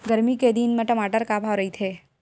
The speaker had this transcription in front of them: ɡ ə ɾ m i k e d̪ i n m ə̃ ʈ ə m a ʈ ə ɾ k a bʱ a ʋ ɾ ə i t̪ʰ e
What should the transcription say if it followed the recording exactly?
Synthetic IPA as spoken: ɡ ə ɾ m i k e d̪ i n m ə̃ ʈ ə m a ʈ ə ɾ k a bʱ a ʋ ɾ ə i t̪ʰ e